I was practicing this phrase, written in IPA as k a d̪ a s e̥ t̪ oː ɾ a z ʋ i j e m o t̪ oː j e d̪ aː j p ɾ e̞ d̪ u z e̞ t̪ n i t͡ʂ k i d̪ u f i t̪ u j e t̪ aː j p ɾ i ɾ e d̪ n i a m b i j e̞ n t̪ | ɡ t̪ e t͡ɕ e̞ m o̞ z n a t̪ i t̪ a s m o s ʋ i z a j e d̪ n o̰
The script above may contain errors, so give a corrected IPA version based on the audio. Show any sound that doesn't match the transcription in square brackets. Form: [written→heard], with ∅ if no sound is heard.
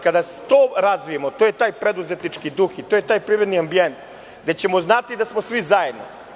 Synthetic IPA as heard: k a d̪ a s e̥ t̪ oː ɾ a z ʋ i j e m o t̪ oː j e [d̪→t̪] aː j p ɾ e̞ d̪ u z e̞ t̪ n i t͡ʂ k i d̪ u [f→x] i t̪ [u→o] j e t̪ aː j p ɾ i ɾ e d̪ n i a m b i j e̞ n t̪ | ɡ [t̪→d̪] e t͡ɕ e̞ m o̞ z n a t̪ i [t̪→d̪] a s m o s ʋ i z a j e d̪ n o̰